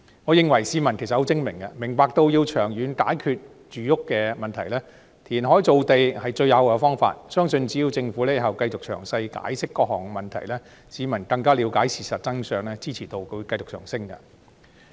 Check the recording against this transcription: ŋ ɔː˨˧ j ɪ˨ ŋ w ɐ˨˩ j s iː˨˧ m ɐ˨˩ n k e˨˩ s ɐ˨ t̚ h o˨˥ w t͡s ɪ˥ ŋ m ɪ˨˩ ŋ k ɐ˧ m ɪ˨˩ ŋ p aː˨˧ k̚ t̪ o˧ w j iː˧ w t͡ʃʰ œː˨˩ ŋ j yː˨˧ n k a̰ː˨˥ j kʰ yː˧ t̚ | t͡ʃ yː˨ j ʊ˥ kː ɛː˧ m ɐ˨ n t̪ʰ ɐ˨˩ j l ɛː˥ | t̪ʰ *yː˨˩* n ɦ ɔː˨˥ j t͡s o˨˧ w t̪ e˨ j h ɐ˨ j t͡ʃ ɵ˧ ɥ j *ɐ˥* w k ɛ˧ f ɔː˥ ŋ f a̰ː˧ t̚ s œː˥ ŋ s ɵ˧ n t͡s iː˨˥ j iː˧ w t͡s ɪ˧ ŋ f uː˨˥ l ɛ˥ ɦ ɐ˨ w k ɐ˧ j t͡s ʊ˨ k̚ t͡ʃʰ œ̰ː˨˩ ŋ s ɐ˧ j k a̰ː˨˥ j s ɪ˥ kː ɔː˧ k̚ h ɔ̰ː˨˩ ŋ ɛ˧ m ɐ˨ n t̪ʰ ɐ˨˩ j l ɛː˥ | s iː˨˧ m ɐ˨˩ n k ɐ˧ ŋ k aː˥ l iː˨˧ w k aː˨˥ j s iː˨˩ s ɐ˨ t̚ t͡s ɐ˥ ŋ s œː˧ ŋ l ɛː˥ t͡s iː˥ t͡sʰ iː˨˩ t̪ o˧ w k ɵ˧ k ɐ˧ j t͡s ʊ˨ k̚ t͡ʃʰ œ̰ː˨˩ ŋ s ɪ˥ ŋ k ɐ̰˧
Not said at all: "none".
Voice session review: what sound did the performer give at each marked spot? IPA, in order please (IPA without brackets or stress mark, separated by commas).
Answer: iː˨˩, ɐ˨˧